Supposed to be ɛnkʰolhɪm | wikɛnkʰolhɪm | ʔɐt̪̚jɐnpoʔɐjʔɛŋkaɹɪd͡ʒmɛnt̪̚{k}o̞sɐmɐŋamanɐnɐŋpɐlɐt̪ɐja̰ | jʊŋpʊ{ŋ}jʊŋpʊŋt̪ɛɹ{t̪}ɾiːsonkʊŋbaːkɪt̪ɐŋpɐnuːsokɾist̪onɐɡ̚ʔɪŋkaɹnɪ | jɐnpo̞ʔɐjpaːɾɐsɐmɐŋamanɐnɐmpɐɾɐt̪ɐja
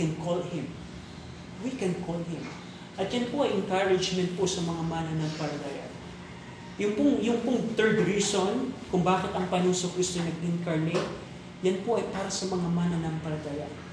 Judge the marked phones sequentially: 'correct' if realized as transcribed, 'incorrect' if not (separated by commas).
incorrect, correct, incorrect